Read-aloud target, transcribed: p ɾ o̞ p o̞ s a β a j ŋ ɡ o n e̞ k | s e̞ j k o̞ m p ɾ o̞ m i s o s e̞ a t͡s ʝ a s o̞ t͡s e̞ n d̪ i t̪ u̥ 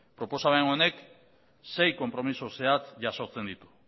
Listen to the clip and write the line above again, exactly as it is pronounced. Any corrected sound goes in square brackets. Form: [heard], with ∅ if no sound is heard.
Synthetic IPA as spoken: p ɾ o̞ p o̞ s a β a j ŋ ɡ o n e̞ k | s e̞ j k o̞ m p ɾ o̞ m i s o s e̞ a t͡s ʝ a s o̞ t͡s e̞ n d̪ i t̪ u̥